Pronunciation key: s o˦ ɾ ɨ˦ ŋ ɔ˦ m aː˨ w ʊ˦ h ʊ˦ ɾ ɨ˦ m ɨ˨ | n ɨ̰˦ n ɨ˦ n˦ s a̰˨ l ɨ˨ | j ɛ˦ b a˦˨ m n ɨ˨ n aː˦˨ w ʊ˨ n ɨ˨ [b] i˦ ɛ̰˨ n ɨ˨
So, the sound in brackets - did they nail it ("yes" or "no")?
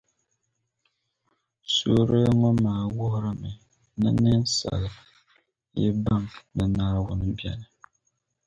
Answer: yes